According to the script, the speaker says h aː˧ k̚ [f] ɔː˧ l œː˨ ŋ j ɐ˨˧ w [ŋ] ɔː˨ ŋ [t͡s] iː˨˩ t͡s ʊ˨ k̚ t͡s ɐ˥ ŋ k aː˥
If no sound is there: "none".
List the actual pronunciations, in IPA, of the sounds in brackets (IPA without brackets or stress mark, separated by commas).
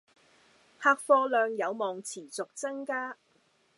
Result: f, m, t͡sʰ